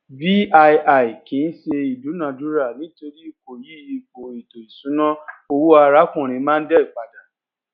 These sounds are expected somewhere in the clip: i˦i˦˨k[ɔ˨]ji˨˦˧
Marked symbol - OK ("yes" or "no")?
no